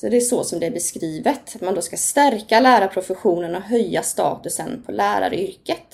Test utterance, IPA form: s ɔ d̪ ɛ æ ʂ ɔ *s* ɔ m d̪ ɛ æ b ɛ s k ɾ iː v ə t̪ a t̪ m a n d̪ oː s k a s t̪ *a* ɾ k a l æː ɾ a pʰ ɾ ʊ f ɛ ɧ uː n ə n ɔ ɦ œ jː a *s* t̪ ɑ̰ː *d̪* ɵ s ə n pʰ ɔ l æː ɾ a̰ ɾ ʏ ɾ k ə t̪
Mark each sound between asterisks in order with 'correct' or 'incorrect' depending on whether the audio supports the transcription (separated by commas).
correct, incorrect, correct, incorrect